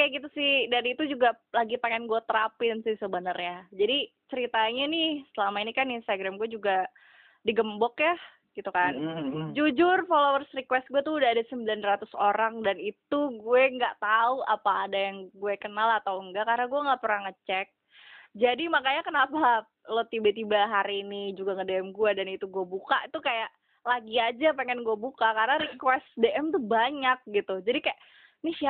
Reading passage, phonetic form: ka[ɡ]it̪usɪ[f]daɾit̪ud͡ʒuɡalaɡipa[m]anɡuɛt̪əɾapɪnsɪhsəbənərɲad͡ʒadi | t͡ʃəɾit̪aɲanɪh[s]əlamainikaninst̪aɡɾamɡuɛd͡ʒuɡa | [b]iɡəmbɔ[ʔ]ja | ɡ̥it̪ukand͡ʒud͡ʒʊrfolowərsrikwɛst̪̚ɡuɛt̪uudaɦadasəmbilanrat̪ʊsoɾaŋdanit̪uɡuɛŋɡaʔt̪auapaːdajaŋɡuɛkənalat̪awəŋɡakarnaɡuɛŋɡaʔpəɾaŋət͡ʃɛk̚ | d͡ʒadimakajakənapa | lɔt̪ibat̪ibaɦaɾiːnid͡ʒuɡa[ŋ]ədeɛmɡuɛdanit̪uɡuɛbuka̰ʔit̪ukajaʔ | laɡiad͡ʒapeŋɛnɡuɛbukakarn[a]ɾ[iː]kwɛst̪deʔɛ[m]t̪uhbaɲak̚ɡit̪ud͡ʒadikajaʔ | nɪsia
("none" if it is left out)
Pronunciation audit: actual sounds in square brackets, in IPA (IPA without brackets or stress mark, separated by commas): ɡ, h, ŋ, s, d, k, ŋ, a, i, m